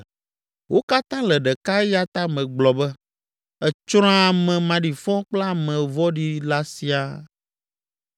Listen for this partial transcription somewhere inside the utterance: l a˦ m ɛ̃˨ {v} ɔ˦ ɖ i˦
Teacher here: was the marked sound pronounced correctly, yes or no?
yes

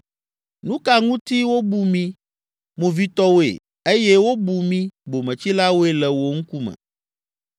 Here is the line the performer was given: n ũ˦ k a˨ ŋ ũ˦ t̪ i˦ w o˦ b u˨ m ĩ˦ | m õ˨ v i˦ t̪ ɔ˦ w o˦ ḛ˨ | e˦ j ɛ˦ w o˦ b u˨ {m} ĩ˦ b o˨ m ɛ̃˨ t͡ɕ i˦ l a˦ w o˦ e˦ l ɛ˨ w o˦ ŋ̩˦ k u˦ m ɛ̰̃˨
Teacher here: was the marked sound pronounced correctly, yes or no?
yes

